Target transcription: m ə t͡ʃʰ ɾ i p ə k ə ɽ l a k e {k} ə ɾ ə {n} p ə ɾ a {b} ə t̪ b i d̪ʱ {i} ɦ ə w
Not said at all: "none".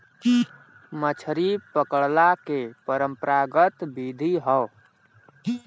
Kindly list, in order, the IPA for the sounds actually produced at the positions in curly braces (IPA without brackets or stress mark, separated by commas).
p, m, ɡ, i